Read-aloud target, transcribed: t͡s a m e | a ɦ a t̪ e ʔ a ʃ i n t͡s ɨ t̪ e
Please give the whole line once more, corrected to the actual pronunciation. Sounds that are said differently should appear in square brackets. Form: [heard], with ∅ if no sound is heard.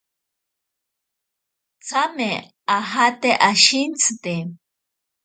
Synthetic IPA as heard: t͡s a m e | a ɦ a t̪ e ʔ a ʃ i n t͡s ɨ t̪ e